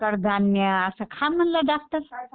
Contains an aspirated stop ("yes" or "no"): yes